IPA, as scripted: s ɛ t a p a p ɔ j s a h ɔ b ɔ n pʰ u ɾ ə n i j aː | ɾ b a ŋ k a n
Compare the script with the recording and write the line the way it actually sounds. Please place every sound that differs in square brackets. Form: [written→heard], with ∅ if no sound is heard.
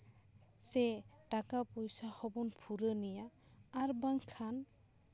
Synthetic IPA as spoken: s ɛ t a [p→k] a p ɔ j s a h ɔ b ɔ n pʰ u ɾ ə n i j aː | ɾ b a ŋ [k→kʰ] a n